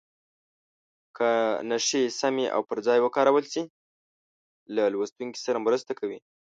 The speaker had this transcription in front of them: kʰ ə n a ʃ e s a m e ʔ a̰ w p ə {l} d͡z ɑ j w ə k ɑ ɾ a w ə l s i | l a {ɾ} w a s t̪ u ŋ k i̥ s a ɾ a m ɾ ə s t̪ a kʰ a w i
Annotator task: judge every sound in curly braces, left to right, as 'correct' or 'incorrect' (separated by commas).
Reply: incorrect, incorrect